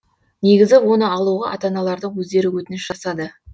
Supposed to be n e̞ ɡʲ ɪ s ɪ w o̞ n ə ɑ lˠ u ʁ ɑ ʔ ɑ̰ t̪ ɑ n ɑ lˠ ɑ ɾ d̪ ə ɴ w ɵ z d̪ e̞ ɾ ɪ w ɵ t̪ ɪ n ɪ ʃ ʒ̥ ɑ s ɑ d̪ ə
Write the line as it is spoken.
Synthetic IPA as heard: n e̞ ɡʲ ɪ z ɪ w o̞ n ə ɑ lˠ u ʁ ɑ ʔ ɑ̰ t̪ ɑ n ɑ lˠ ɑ ɾ d̪ ə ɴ w ɵ z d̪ e̞ ɾ ɪ w ɵ t̪ ɪ n ɪ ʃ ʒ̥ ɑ s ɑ d̪ ə